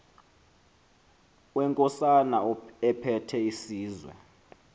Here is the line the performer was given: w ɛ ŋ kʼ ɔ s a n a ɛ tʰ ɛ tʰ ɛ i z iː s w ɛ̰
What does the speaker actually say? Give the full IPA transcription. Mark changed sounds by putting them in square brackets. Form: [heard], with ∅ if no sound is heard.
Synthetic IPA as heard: w ɛ ŋ kʼ ɔ s a n a ɛ [pʰ] ɛ tʰ ɛ i [s] iː [z] w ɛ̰